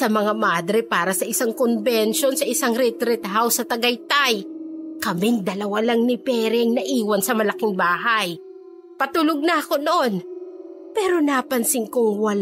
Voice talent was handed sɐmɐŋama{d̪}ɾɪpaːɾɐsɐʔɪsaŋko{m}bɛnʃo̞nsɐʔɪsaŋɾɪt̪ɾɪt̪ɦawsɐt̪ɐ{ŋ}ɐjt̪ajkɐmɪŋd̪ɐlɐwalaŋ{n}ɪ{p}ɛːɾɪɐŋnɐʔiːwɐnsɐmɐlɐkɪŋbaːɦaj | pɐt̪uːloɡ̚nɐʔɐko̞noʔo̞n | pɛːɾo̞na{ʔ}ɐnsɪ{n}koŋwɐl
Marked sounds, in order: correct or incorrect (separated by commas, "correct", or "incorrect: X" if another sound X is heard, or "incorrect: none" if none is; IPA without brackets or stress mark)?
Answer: correct, incorrect: n, incorrect: ɡ, correct, correct, incorrect: p, incorrect: ŋ